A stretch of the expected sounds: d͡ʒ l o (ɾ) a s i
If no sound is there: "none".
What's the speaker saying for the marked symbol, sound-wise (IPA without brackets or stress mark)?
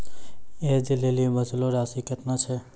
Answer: ɾ